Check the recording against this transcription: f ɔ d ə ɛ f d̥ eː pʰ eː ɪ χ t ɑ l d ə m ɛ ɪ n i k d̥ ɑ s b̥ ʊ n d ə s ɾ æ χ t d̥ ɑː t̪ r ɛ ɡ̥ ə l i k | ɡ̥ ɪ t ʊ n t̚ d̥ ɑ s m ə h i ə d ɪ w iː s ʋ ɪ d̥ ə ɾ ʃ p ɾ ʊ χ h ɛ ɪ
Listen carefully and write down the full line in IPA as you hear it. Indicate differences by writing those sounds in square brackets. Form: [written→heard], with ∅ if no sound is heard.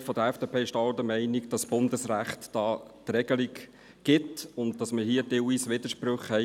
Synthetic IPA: f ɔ d ə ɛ f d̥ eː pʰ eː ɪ [χ→ʃ] t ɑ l d ə m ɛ ɪ n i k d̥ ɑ s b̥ ʊ n d ə s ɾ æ χ t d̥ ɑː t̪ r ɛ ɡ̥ ə l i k | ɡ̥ ɪ t ʊ n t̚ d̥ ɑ s m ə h i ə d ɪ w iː s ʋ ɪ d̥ ə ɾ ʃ p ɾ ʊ χ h ɛ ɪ